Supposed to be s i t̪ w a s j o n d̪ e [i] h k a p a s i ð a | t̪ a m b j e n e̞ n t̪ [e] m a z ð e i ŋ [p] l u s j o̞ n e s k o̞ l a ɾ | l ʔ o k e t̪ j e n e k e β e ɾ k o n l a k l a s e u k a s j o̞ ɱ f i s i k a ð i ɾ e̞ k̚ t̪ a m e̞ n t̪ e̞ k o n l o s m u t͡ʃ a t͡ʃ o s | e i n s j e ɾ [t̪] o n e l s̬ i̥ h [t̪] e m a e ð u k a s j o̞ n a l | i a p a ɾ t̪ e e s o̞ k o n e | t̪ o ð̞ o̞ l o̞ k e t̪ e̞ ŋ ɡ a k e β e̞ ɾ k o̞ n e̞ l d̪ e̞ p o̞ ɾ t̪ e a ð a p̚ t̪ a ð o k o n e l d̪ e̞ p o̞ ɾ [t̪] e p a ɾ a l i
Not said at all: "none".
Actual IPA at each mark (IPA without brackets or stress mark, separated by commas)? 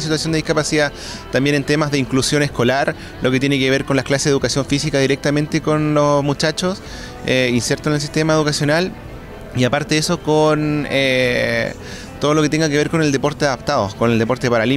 i, e, k, t̪, t̪, t̪